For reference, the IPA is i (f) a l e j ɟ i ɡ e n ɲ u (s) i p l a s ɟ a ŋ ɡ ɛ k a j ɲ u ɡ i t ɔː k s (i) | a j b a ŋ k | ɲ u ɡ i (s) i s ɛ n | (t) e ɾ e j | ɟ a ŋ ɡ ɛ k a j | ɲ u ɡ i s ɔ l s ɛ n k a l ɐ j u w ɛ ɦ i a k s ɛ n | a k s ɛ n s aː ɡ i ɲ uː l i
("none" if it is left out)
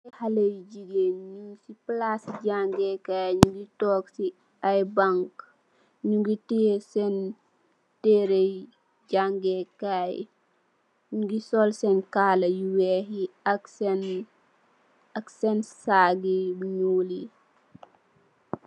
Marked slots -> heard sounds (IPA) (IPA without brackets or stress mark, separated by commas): h, s, i, t, t